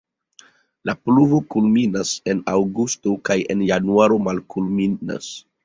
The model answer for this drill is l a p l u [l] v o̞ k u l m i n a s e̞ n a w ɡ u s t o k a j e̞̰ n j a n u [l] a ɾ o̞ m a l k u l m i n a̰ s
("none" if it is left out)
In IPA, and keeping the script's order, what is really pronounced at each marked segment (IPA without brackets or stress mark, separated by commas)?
none, none